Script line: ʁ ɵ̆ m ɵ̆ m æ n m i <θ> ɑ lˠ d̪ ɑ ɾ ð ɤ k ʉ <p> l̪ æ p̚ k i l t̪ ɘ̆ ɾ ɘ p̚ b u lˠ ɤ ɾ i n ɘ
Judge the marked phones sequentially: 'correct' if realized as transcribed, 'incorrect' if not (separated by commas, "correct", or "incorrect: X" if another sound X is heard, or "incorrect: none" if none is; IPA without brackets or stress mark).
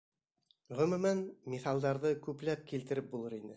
correct, correct